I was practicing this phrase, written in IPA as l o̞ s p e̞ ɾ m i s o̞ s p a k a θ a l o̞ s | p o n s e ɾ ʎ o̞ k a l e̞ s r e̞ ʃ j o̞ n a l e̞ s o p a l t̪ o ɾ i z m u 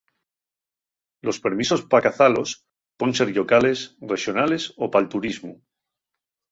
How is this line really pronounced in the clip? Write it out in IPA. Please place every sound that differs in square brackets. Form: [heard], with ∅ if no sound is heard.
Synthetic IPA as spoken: l o̞ s p e̞ ɾ m i s o̞ s p a k a θ a l o̞ s | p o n s e ɾ ʎ o̞ k a l e̞ s r e̞ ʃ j o̞ n a l e̞ s o p a l t̪ [u] ɾ i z m u